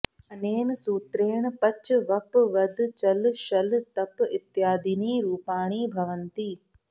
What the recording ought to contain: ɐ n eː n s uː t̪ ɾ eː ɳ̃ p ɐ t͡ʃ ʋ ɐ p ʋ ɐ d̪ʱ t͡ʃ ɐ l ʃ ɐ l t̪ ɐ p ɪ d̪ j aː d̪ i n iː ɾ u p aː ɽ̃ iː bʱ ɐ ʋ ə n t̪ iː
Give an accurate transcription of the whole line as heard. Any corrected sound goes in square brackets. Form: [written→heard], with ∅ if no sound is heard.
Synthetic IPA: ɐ n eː n s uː t̪ ɾ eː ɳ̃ p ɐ t͡ʃ ʋ ɐ p ʋ ɐ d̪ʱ t͡ʃ ɐ l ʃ ɐ l t̪ ɐ p ɪ [d̪→t̪] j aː d̪ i n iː ɾ [u→uː] p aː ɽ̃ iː bʱ ɐ ʋ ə n t̪ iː